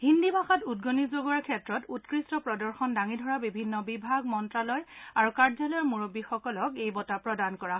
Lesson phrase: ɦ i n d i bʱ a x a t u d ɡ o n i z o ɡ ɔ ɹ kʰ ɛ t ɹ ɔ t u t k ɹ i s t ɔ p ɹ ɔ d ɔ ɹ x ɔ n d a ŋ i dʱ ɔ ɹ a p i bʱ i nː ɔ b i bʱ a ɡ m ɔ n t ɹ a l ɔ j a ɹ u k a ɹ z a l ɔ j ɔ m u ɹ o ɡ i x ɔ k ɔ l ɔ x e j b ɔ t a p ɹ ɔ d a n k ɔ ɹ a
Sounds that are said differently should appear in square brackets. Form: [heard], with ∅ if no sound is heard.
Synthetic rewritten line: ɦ i n d i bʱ a x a t u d ɡ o n i z o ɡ ɔ ɹ kʰ ɛ t ɹ ɔ t u t k ɹ i s t ɔ p ɹ ɔ d ɔ ɹ x ɔ n d a ŋ i dʱ ɔ ɹ a [b] i bʱ i nː ɔ b i bʱ a ɡ m ɔ n t ɹ a l ɔ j a ɹ u k a ɹ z a l ɔ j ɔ m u ɹ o [b] i x ɔ k ɔ l ɔ [k] e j b ɔ t a p ɹ ɔ d a n k ɔ ɹ a